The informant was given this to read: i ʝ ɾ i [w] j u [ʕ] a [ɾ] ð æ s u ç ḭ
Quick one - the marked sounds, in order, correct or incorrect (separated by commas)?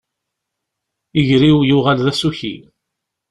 correct, incorrect, incorrect